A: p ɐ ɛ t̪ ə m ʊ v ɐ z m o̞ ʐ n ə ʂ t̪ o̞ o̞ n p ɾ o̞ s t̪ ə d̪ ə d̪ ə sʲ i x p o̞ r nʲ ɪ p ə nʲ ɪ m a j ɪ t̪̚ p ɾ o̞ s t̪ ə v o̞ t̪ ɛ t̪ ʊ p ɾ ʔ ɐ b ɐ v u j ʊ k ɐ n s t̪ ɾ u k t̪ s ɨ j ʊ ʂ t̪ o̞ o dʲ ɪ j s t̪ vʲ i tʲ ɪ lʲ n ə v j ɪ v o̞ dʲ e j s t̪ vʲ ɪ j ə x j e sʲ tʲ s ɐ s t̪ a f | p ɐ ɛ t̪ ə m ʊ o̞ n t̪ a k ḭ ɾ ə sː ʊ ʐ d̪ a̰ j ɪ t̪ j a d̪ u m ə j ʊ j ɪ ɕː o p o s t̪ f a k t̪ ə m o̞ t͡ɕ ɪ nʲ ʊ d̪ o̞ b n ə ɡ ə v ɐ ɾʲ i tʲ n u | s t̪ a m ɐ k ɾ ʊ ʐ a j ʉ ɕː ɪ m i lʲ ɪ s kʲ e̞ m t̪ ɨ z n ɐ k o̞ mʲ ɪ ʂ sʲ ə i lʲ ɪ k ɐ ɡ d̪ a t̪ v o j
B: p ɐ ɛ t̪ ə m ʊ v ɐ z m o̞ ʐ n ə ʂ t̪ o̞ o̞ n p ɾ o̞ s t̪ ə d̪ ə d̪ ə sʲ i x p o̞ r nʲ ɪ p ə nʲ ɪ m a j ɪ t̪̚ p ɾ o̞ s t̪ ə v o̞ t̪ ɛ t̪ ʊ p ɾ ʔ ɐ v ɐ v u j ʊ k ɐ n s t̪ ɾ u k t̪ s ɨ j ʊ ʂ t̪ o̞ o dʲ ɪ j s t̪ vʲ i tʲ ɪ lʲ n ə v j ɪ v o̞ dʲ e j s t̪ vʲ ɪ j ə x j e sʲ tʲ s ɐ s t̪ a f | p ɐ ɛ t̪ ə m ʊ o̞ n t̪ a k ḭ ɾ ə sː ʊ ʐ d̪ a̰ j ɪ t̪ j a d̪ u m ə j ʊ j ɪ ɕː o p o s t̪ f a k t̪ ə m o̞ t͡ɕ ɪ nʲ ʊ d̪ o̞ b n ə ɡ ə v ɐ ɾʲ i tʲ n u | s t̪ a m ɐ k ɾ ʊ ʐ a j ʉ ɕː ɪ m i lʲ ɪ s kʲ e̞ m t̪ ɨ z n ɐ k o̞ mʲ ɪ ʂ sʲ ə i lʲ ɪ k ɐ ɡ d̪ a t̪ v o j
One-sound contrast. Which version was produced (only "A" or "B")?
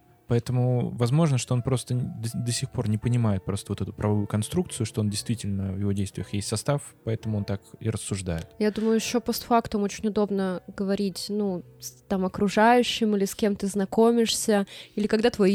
B